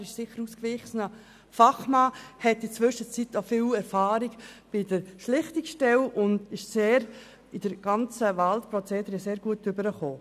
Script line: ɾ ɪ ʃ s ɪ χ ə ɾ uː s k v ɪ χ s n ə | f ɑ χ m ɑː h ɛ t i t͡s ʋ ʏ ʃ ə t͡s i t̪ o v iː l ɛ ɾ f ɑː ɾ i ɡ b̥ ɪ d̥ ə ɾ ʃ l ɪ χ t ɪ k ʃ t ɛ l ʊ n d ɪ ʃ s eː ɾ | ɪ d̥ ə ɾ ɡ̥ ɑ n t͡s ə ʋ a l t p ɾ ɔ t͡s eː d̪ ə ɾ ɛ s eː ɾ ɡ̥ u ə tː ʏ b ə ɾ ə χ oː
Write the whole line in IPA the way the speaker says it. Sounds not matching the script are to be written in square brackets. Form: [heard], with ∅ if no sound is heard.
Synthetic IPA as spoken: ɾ ɪ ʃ s ɪ χ ə ɾ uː s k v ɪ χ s n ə | f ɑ χ m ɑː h ɛ t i t͡s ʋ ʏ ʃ ə t͡s i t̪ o [f] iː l ɛ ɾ f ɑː ɾ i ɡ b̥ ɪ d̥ ə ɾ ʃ l ɪ χ t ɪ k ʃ t ɛ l ʊ n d ɪ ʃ s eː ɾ | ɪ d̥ ə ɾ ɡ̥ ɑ n t͡s ə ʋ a l t p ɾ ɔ t͡s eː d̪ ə ɾ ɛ s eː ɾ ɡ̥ u ə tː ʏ b ə ɾ ə χ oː